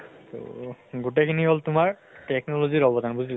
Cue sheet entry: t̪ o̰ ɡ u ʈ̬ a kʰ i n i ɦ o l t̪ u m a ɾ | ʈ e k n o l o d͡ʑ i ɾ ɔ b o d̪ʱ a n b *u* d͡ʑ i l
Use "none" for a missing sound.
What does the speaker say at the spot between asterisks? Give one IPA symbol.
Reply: u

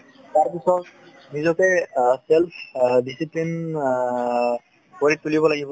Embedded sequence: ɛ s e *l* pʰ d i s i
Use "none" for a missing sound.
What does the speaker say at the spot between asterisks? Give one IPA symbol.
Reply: l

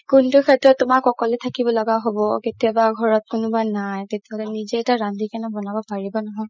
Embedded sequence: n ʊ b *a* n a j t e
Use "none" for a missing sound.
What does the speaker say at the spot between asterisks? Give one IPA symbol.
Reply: a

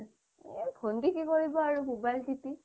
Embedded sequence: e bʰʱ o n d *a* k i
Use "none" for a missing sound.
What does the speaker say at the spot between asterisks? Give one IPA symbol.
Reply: i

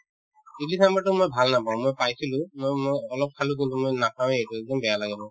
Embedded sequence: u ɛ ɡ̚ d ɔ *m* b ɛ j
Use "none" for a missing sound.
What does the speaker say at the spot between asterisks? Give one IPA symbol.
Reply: m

